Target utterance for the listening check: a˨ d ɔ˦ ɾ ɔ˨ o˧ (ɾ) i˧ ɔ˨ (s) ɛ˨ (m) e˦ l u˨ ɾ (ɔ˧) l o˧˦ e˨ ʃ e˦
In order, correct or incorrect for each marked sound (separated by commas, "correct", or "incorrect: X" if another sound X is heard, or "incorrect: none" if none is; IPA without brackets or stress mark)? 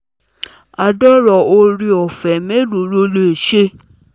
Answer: correct, incorrect: f, correct, incorrect: o˧